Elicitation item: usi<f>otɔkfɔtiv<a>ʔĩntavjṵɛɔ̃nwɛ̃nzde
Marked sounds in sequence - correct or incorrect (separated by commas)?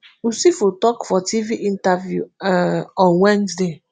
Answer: correct, incorrect